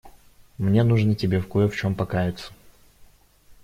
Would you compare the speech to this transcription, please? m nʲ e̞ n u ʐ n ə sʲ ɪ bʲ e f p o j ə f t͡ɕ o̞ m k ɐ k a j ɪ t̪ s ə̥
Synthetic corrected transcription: m nʲ e̞ n u ʐ n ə tʲ ɪ bʲ e f k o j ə f t͡ɕ o̞ m p ɐ k a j ɪ t̪ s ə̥